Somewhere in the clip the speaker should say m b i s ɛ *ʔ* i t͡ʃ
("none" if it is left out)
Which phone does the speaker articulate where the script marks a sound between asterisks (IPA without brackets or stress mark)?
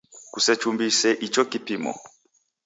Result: ʔ